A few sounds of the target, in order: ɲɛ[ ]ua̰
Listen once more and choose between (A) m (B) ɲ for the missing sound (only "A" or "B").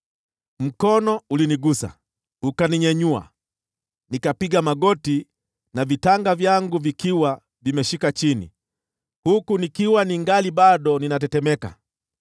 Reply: B